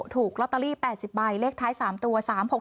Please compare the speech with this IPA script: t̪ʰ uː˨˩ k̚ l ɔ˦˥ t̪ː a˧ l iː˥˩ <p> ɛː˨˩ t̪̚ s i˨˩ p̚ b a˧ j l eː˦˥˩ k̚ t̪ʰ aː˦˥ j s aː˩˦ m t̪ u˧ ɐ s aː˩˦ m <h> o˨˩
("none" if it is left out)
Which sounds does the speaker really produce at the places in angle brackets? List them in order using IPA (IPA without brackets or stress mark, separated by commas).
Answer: p, h